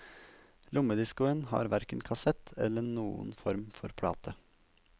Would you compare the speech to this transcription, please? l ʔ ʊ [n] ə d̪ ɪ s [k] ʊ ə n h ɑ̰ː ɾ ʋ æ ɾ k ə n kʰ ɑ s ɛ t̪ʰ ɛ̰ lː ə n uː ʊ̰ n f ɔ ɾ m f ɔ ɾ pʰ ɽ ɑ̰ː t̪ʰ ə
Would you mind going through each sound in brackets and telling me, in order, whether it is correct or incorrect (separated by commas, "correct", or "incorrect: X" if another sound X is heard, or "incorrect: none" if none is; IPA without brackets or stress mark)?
incorrect: m, correct